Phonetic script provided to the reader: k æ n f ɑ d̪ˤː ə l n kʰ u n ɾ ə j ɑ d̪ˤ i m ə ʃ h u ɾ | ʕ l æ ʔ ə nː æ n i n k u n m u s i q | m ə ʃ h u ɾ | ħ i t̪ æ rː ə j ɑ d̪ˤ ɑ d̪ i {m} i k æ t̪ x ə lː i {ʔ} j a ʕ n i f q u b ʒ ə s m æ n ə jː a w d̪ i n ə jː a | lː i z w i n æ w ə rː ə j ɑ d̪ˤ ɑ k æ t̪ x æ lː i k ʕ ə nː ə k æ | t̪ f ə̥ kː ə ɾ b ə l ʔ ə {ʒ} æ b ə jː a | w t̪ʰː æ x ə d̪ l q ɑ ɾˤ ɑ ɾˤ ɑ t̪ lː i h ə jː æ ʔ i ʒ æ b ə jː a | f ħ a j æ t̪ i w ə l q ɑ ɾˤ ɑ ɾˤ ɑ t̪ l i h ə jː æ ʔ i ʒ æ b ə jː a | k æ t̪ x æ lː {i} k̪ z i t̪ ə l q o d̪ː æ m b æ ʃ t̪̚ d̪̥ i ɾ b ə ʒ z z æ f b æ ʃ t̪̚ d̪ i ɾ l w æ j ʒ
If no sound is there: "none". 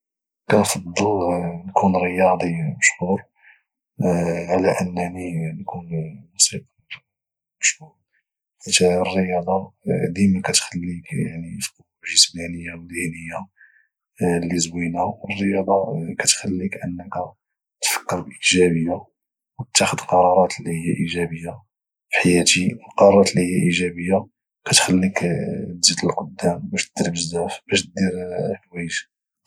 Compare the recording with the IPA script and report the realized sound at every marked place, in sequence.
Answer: m, k, ʒ, i

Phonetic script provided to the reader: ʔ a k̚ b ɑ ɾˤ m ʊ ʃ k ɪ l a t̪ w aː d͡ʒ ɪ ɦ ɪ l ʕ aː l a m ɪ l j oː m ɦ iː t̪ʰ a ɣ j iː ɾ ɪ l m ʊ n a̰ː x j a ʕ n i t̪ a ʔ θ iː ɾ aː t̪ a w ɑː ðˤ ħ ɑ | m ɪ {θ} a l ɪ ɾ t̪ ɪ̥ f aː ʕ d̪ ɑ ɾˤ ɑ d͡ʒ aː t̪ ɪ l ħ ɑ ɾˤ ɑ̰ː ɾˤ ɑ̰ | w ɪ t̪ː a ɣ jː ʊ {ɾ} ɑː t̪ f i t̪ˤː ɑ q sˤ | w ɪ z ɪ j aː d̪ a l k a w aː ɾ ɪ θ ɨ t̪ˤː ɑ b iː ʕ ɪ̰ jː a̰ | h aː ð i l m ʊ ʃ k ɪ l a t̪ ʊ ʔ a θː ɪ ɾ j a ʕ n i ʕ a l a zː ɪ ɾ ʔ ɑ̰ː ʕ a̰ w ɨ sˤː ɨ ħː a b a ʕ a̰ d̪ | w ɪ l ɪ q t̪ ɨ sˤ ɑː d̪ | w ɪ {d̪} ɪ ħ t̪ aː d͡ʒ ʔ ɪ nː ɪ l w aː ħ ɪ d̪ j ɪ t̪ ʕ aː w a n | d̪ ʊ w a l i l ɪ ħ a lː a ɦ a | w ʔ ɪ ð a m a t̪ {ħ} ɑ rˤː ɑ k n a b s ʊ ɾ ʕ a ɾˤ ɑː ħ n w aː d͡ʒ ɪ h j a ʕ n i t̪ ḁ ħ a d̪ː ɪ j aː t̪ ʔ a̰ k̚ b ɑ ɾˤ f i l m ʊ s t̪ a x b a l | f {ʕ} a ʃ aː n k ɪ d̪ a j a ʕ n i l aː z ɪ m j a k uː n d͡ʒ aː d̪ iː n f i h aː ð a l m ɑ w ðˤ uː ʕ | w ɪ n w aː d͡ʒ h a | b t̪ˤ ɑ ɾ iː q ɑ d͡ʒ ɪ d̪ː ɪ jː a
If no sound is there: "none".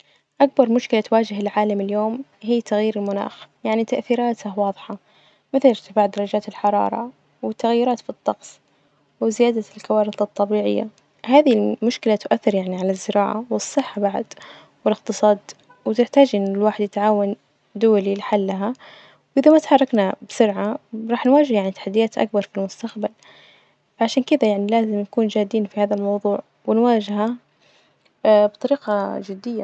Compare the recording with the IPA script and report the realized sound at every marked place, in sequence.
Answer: θ, ɾ, t̪, ħ, ʕ

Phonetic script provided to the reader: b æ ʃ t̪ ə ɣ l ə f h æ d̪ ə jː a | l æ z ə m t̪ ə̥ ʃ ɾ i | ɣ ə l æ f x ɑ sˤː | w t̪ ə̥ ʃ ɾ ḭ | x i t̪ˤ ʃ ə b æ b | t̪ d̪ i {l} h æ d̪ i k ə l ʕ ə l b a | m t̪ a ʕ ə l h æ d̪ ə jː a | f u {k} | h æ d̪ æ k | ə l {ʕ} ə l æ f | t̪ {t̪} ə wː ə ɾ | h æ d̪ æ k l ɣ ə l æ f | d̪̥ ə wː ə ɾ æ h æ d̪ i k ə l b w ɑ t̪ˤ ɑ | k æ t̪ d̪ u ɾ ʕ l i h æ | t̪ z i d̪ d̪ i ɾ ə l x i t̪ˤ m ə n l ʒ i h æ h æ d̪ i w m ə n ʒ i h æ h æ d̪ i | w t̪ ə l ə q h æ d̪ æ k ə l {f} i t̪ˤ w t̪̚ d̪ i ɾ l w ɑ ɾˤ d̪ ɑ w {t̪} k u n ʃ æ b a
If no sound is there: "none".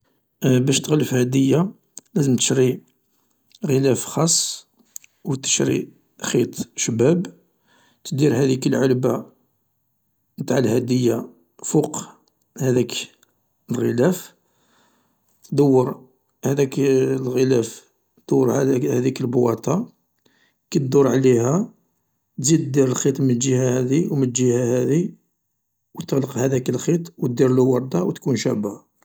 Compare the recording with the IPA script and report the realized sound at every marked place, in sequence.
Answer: ɾ, q, ɣ, d̪, x, t̪

